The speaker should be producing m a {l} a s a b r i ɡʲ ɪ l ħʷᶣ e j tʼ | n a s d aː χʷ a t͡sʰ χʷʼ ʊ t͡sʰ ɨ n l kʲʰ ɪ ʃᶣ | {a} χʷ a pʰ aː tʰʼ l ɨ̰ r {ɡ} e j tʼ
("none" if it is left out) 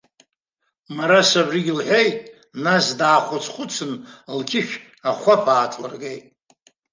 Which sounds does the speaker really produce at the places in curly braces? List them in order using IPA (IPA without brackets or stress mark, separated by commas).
ɾ, a, ɡ